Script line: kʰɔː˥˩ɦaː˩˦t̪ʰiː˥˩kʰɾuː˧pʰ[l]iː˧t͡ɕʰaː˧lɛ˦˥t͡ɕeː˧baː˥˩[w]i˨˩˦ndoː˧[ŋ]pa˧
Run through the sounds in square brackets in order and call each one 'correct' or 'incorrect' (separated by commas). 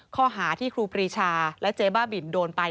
incorrect, incorrect, incorrect